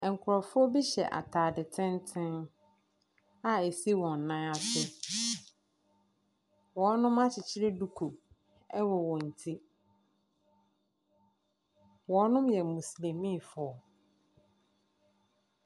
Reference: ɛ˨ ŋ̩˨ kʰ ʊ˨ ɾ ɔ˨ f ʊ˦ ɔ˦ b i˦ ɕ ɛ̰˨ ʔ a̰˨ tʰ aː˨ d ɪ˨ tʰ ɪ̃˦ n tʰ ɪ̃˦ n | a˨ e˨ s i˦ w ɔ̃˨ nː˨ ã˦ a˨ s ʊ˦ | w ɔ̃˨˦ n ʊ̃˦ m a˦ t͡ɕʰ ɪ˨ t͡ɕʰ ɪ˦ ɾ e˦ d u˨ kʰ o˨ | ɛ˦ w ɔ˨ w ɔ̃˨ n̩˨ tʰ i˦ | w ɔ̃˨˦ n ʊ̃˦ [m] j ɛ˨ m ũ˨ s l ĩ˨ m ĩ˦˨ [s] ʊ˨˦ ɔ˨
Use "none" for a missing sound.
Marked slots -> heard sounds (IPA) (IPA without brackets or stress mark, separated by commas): m, f